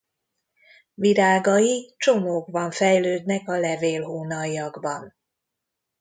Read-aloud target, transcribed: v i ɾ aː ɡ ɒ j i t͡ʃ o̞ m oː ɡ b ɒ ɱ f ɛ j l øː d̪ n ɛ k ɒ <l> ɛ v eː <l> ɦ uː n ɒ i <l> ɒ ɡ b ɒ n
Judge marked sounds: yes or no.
yes, yes, no

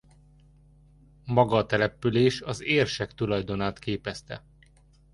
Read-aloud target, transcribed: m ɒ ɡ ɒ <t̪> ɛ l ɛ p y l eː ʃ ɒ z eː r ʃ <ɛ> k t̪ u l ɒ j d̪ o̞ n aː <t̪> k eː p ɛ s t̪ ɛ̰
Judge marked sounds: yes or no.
yes, yes, yes

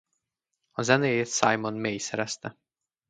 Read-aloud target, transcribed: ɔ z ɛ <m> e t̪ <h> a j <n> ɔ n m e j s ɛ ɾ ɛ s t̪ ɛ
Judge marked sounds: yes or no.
no, no, no

